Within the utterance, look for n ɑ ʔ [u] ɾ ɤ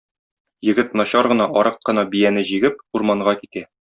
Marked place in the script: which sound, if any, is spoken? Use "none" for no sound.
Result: ɒ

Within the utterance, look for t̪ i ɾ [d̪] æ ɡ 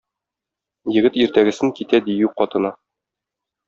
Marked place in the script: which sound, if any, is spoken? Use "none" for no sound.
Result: t̪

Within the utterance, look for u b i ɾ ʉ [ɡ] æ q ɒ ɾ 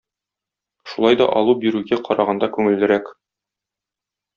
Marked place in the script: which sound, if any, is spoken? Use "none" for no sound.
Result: ɡ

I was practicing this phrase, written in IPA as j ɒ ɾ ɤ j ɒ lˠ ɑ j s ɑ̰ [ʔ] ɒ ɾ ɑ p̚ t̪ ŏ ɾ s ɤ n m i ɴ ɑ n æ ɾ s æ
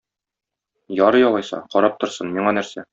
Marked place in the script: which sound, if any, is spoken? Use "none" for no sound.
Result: q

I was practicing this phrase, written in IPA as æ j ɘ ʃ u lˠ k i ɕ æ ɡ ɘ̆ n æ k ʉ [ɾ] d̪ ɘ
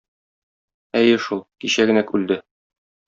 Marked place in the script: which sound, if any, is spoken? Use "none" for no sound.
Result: l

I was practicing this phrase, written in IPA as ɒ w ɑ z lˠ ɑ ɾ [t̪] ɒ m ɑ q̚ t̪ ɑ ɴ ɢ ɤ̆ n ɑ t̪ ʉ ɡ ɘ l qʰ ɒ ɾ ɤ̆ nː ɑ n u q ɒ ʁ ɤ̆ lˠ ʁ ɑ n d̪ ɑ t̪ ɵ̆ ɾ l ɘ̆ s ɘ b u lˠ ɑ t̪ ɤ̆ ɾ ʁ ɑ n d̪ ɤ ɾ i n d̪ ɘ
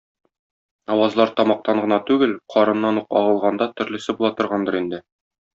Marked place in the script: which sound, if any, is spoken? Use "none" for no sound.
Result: t̪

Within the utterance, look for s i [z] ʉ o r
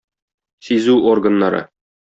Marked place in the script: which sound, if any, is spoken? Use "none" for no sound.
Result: z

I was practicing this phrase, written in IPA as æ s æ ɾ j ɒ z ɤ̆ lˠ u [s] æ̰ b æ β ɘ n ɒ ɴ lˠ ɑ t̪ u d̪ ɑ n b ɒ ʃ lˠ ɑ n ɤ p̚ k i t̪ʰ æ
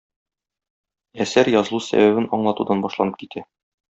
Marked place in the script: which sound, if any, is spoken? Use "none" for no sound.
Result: s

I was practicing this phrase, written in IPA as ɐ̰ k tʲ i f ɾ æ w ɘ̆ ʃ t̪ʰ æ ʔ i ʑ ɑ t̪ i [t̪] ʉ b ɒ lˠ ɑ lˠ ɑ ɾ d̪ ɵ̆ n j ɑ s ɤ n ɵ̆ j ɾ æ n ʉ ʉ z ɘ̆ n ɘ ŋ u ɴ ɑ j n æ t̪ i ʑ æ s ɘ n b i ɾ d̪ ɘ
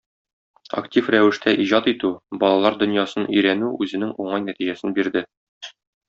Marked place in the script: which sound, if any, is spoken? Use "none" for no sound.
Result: t̪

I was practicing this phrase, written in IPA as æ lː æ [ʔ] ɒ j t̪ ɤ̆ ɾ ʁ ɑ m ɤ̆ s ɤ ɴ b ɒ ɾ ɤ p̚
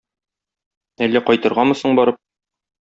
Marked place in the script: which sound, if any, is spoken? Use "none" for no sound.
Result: q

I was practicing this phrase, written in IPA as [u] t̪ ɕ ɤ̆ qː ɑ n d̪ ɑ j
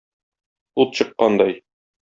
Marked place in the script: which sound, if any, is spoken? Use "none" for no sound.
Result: u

